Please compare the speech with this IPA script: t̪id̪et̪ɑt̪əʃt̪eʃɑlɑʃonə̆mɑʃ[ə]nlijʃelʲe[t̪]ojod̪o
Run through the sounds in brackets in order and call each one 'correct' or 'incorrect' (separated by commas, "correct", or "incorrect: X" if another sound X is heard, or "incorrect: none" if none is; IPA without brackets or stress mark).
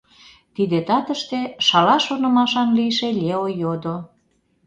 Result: incorrect: ɑ, incorrect: none